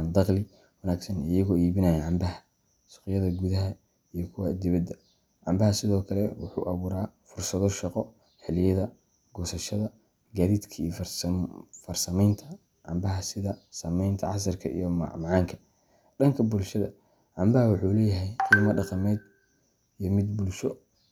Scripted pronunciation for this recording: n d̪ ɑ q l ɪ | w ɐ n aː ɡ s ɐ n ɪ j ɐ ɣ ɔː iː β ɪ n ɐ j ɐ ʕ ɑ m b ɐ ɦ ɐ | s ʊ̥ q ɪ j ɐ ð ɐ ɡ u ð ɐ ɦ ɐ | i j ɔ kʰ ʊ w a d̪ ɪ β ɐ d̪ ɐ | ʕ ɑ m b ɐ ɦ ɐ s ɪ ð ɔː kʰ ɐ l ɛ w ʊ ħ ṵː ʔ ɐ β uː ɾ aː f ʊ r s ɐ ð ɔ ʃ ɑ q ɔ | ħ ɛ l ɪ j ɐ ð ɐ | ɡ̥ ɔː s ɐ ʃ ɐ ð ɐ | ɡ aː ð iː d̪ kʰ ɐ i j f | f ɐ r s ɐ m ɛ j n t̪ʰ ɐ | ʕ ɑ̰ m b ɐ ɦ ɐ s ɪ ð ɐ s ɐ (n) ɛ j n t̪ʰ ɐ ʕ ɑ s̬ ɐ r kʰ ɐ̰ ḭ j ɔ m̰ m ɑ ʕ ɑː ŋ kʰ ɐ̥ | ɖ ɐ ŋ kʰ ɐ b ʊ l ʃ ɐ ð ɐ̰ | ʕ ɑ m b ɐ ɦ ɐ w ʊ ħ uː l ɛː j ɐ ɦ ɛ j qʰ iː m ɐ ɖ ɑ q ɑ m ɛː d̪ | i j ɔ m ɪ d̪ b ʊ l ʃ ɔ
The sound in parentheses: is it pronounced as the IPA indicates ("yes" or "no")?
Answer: no